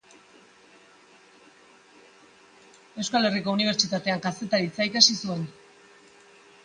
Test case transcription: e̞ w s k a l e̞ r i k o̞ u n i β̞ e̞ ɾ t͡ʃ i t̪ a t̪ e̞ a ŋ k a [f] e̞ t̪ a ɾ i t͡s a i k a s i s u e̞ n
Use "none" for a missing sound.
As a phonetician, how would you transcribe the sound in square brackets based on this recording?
s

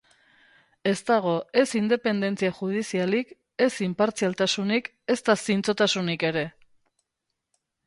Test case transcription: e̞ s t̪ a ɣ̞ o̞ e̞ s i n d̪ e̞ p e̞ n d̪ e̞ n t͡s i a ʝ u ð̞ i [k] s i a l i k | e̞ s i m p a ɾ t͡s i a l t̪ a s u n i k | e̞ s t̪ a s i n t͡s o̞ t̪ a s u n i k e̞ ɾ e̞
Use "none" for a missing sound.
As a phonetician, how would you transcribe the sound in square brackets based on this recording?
none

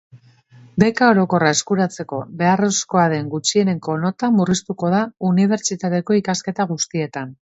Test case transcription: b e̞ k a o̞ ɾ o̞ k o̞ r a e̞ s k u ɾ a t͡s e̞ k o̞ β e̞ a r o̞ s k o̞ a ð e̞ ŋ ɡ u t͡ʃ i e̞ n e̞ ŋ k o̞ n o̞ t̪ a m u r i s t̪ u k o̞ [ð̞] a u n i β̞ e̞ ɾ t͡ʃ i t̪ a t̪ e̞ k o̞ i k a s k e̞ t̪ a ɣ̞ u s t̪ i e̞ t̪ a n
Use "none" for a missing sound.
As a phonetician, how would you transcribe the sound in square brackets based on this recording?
ð̞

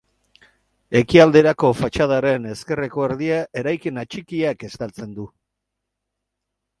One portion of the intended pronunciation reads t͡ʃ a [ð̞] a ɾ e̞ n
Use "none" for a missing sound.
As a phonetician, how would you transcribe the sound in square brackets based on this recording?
ð̞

